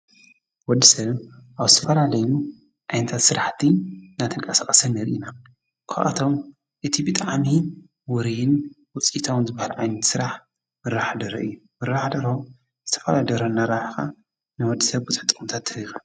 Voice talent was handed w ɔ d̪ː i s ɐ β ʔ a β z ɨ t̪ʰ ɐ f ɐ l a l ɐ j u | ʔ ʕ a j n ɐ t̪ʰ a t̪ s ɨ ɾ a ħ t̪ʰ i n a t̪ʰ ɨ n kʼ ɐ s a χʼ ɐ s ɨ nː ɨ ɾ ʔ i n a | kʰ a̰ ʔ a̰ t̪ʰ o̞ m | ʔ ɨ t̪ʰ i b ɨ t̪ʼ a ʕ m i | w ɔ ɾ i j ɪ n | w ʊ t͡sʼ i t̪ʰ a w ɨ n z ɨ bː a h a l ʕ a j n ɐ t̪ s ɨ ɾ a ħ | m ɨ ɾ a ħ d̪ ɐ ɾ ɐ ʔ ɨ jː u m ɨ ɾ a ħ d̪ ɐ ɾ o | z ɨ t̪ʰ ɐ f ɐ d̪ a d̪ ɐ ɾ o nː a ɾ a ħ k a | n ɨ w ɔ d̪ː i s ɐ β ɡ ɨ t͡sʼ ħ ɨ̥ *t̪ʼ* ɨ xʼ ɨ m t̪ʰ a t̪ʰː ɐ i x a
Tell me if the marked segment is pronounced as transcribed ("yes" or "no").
yes